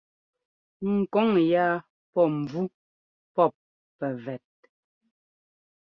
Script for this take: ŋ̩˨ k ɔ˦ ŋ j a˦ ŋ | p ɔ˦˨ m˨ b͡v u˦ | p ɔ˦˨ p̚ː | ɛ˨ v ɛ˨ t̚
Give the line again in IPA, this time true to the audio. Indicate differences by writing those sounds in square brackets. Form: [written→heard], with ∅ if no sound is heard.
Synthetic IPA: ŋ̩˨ k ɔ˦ ŋ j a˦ [ŋ→∅] | p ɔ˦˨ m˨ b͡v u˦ | p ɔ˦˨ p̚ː | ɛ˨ v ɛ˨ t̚